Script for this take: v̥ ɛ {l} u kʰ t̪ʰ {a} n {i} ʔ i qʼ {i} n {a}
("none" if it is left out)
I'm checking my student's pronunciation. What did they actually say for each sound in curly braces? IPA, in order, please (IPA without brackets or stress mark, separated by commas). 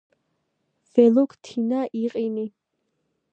l, i, a, i, i